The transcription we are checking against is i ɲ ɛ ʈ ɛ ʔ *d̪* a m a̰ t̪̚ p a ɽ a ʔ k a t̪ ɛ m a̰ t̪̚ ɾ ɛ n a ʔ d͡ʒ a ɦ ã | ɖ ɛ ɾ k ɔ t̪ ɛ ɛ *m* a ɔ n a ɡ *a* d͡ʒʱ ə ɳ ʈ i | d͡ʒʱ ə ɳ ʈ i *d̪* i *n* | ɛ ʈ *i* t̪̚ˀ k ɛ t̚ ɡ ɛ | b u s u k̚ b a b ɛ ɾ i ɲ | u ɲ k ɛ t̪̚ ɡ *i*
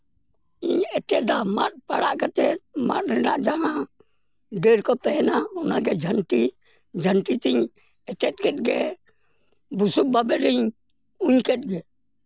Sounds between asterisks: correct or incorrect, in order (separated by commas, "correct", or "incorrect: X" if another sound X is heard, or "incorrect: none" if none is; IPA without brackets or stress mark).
correct, incorrect: n, incorrect: ɛ, incorrect: t̪, incorrect: ɲ, incorrect: ɛ, incorrect: ɛ